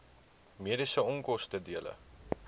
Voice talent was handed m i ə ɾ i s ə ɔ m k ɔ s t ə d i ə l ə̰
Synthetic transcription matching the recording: m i ə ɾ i s ə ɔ ŋ k ɔ s t ə d i ə l ə̰